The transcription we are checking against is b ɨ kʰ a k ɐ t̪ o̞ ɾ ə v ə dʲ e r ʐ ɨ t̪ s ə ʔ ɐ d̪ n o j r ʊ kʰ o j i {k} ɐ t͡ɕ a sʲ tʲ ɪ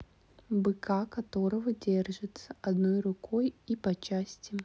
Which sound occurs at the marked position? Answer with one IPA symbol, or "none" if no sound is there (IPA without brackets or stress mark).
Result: p